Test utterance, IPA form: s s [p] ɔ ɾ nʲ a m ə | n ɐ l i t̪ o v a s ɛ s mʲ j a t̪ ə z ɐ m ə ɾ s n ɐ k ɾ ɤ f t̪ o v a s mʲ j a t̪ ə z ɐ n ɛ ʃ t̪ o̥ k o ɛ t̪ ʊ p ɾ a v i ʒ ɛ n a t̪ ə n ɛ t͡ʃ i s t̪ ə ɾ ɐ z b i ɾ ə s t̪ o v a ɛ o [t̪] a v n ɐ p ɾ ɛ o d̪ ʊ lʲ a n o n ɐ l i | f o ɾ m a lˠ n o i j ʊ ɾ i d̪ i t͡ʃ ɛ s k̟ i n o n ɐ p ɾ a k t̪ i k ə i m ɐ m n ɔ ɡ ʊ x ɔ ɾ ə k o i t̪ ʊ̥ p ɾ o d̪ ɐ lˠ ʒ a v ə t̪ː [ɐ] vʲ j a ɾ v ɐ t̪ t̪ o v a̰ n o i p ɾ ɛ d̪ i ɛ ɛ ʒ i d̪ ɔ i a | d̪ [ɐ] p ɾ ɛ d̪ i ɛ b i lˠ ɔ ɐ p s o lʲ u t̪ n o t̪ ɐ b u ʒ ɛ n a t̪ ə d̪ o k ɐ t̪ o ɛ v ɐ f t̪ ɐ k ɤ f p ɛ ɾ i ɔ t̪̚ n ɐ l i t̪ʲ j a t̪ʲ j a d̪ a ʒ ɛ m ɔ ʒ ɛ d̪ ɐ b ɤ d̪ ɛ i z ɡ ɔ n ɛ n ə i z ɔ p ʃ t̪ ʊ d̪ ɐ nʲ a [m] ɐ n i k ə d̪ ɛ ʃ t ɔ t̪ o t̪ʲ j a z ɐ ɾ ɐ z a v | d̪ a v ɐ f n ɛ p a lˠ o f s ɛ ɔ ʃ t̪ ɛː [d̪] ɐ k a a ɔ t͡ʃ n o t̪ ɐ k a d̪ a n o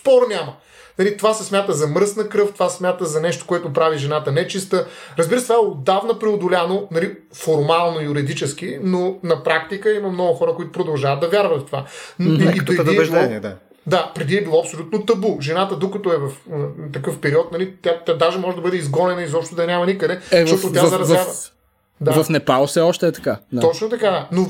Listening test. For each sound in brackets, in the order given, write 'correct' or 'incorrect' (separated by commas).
correct, incorrect, correct, incorrect, correct, incorrect